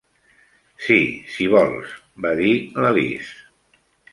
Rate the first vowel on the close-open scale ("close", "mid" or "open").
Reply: close